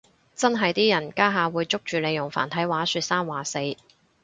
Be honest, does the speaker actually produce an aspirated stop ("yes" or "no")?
yes